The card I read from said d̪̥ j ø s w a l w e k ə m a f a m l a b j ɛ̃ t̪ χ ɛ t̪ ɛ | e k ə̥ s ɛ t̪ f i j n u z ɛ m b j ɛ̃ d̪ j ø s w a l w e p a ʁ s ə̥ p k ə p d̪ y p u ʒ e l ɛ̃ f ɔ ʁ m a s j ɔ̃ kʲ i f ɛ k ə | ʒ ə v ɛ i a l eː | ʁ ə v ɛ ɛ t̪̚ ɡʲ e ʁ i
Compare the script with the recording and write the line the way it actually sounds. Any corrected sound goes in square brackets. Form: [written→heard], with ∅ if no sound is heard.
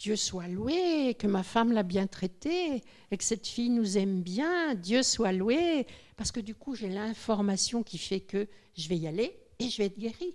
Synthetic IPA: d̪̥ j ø s w a l w e k ə m a f a m l a b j ɛ̃ t̪ χ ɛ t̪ [ɛ→e] | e k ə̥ s ɛ t̪ f i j n u z ɛ m b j ɛ̃ d̪ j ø s w a l w e p a ʁ s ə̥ [p→∅] k ə [p→∅] d̪ y [p→k] u ʒ e l ɛ̃ f ɔ ʁ m a s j ɔ̃ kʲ i f ɛ k ə | ʒ ə v ɛ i a l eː | [ʁ→ʒ] ə v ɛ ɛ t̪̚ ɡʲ e ʁ i